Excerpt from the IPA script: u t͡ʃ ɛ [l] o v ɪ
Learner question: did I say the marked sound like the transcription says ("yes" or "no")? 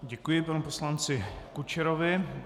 no